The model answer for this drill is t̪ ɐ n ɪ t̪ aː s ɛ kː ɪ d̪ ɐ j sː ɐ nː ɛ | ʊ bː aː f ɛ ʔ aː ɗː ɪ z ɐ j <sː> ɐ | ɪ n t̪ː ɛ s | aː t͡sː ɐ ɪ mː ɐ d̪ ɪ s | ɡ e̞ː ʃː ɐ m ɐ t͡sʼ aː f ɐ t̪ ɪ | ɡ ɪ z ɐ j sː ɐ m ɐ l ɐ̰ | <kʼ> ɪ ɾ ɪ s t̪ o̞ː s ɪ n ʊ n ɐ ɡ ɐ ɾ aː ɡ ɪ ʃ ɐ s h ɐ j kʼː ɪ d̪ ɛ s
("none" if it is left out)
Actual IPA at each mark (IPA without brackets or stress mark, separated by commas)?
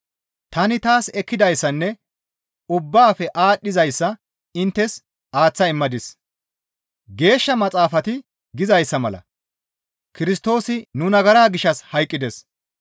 sː, k